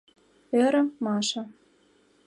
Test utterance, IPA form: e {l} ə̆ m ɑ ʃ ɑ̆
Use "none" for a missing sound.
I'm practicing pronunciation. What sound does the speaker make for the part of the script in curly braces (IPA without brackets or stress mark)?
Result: ɾ